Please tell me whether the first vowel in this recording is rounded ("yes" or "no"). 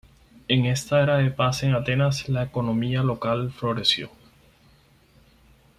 no